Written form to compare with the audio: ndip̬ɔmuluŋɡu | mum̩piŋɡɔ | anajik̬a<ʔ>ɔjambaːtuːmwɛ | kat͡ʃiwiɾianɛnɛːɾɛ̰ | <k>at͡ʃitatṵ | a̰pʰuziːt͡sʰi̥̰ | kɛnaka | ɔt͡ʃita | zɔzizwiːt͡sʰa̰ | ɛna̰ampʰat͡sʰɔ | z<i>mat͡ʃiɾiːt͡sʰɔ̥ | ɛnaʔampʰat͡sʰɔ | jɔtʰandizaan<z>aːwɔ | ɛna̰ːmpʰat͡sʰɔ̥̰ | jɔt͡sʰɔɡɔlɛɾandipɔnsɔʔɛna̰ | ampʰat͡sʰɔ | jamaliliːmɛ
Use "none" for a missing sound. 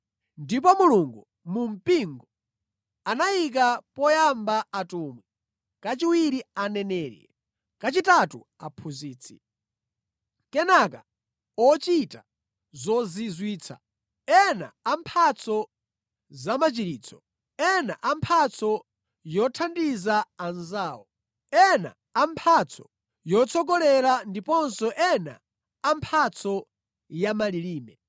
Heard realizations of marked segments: p, k, a, z

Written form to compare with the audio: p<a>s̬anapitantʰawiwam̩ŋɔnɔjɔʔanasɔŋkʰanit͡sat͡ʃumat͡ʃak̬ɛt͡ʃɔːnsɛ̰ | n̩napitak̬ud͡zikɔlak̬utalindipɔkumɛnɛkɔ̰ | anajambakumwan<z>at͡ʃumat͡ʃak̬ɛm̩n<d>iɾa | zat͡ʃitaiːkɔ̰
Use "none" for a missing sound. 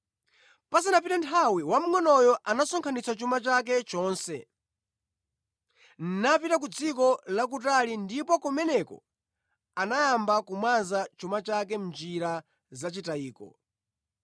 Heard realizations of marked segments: a, z, d͡ʒ

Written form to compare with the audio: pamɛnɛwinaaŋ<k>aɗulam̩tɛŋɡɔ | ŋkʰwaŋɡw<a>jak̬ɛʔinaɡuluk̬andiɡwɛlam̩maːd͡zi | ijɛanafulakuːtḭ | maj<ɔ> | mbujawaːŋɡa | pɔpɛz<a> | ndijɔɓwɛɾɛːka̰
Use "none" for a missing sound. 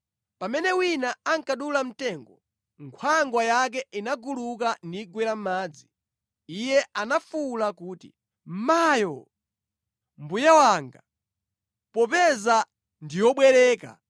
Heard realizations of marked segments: k, a, ɔ, a

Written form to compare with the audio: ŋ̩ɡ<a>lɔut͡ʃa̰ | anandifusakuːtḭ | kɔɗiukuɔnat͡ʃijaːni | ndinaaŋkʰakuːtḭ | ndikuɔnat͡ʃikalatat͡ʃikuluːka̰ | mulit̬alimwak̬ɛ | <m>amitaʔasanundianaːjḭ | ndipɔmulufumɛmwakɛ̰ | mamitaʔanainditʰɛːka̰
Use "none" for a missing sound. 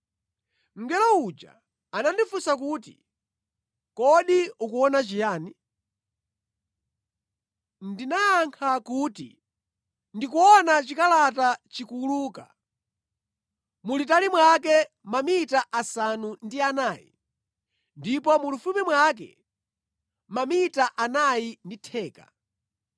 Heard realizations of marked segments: ɛ, m

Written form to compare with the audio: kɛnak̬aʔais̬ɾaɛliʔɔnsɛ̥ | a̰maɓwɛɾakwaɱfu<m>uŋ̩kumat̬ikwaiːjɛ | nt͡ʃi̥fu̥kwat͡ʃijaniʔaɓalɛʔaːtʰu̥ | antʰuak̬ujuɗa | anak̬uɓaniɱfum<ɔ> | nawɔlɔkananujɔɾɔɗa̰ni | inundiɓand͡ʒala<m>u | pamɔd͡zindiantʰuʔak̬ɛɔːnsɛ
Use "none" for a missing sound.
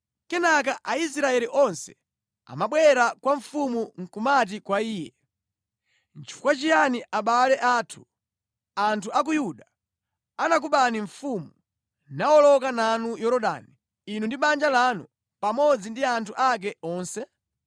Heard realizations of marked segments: m, u, n

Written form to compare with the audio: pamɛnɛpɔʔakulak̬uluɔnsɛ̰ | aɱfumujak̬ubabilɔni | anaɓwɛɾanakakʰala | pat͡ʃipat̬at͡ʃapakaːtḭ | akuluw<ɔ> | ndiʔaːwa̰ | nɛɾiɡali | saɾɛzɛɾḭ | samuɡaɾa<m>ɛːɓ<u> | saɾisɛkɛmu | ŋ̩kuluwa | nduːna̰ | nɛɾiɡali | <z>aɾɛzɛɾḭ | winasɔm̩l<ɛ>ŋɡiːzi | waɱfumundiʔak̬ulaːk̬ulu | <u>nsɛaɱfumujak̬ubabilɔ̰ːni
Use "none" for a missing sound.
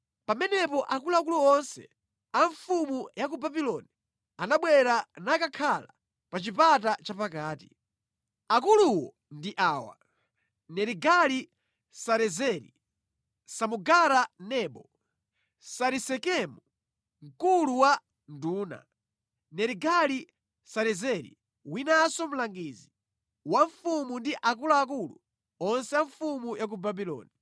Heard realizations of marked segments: ɔ, n, ɔ, s, a, ɔ

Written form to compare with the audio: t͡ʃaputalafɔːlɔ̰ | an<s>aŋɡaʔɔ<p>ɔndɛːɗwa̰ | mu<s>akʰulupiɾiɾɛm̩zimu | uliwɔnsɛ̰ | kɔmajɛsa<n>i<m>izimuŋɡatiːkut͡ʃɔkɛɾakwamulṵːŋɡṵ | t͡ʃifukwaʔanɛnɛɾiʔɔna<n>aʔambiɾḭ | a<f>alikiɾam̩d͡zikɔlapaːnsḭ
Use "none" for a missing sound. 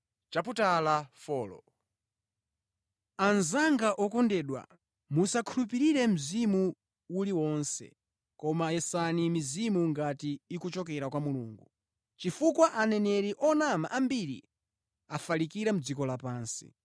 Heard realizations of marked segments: z, k, s, n, m, m, f

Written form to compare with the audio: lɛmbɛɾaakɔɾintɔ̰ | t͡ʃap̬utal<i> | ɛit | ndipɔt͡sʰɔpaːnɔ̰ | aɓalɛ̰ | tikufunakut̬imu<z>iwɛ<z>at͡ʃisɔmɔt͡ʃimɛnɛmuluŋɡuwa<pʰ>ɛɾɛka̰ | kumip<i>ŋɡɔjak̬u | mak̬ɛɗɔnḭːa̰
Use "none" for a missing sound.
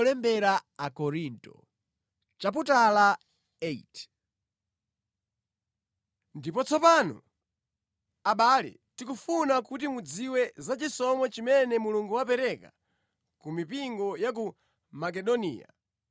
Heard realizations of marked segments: a, d͡z, z, p, i

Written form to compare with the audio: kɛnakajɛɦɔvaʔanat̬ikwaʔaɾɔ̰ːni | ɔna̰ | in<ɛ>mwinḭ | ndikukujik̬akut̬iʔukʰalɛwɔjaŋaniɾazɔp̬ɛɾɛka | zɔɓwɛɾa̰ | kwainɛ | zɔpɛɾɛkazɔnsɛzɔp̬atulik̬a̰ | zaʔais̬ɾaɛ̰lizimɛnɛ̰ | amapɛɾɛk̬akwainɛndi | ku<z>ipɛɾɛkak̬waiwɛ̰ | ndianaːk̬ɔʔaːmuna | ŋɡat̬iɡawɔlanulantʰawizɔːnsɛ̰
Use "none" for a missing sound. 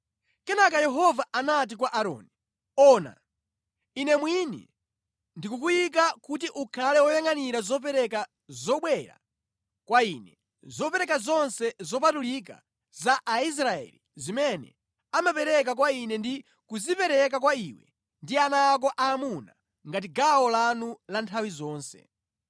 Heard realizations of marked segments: ɛ, z

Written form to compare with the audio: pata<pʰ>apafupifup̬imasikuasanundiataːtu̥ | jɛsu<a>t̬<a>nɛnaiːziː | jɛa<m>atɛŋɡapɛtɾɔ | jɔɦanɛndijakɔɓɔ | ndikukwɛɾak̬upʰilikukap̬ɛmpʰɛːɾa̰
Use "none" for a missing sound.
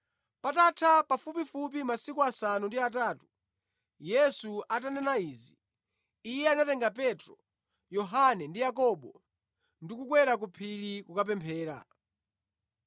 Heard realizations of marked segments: tʰ, a, a, n

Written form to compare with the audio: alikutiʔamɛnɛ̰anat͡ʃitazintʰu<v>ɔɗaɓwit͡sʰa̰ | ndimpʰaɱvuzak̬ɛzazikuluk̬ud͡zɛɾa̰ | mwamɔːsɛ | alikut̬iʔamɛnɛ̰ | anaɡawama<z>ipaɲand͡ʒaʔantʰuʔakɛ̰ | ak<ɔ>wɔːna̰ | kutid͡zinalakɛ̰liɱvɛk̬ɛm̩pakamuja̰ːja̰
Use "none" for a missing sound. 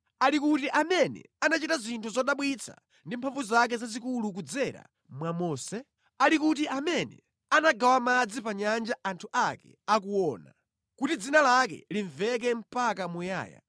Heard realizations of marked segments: z, d͡z, u

